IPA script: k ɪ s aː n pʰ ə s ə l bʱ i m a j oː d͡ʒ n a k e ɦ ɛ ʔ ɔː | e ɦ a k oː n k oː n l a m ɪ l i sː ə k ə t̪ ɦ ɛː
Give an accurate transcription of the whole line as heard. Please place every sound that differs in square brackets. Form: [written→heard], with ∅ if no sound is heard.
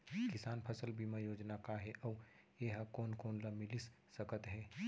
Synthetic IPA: k ɪ s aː n pʰ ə s ə l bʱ i m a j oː d͡ʒ n a k [e→a] ɦ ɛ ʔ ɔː | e ɦ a k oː n k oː n l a m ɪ l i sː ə k ə t̪ ɦ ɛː

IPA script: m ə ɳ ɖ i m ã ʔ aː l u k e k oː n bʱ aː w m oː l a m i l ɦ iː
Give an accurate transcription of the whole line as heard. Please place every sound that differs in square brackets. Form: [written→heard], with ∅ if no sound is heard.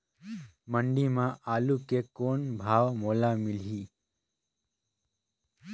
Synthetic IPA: m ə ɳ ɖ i m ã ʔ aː l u k e k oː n bʱ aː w m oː l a m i l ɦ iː

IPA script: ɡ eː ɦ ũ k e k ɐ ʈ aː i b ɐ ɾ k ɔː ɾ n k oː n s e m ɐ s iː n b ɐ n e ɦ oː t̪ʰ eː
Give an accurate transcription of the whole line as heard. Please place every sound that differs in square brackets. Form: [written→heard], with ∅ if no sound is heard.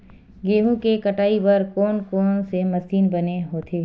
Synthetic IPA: ɡ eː ɦ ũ k e k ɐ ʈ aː i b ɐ ɾ k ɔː [ɾ→∅] n k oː n s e m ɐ s iː n b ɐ n e ɦ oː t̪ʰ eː

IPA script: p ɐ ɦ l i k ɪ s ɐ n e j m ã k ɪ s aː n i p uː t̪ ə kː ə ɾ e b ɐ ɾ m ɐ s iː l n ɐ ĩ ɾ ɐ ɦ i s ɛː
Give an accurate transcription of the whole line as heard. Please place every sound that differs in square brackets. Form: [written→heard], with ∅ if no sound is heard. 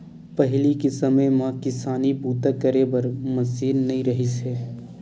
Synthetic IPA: p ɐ ɦ l i k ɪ s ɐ [n→m] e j m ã k ɪ s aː n i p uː t̪ ə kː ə ɾ e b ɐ ɾ m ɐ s iː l n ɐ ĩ ɾ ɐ ɦ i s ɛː

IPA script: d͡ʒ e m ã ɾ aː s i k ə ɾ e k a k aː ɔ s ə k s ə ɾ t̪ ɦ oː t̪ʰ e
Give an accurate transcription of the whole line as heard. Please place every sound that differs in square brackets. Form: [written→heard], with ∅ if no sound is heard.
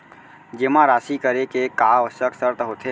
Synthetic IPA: d͡ʒ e m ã ɾ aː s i k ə ɾ e k [a→e] k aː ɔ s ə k s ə ɾ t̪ ɦ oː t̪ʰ e

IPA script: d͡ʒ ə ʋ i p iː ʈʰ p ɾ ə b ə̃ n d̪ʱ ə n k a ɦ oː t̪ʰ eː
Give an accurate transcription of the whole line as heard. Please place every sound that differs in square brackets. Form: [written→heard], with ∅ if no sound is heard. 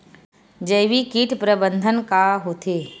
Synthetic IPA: d͡ʒ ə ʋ i [p→k] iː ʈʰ p ɾ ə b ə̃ n d̪ʱ ə n k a ɦ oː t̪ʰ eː

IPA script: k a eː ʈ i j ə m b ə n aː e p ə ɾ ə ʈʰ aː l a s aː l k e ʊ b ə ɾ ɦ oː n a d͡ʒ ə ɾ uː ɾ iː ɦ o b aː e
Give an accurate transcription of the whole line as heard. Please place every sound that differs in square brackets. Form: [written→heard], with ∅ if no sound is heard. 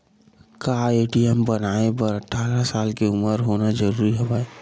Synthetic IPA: k a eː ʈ i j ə m b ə n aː e p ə ɾ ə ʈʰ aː [l→ɾ] a s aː l k e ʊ [b→m] ə ɾ ɦ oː n a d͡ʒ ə ɾ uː ɾ [iː→i] ɦ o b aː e

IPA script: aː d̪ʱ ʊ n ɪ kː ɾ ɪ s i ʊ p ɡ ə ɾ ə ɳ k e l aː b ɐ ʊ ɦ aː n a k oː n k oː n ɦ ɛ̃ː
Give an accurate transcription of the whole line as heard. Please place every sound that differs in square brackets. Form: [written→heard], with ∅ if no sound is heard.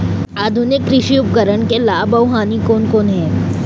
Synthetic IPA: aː d̪ʱ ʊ n ɪ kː ɾ ɪ [s→ʃ] i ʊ p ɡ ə ɾ ə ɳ k e l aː b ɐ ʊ ɦ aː n [a→i] k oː n k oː n ɦ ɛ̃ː

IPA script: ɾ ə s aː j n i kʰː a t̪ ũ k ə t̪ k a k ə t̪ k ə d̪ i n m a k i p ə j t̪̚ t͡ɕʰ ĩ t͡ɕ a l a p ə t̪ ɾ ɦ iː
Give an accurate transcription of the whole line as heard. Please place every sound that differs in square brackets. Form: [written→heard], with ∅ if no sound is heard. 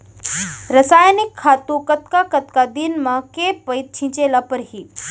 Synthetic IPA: ɾ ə s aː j n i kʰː a t̪ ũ k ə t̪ k a k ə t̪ k [ə→a] d̪ i n m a k [i→e] p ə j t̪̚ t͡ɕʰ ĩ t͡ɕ [a→e] l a p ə [t̪→∅] ɾ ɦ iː

